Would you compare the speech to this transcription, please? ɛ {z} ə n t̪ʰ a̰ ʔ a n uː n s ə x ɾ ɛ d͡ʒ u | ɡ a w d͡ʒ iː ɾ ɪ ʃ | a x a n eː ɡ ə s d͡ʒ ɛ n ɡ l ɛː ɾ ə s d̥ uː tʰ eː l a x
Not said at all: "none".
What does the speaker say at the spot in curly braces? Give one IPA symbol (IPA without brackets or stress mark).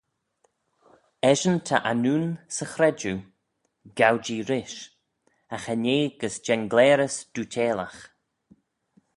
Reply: ʒ